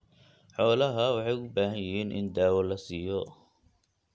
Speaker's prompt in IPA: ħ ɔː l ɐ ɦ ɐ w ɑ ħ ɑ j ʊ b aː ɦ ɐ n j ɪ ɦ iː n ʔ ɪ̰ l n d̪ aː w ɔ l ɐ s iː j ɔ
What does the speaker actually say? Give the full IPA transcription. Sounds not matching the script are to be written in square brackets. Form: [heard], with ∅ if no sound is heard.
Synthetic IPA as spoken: ħ ɔː l ɐ ɦ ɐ w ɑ ħ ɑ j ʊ b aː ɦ ɐ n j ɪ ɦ iː n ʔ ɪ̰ [∅] n d̪ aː w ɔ l ɐ s iː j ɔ